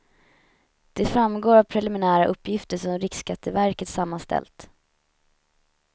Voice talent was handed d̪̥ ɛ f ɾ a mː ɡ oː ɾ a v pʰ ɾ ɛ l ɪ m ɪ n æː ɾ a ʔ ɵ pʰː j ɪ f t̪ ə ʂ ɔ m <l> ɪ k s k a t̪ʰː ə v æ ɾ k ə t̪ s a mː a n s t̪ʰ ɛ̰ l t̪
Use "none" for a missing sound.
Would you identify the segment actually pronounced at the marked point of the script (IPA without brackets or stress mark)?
ɾ